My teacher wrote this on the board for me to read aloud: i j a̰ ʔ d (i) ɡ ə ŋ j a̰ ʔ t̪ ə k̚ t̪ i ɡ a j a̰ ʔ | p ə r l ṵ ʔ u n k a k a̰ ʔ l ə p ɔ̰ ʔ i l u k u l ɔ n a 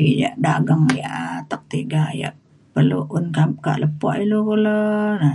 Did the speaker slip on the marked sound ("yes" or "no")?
yes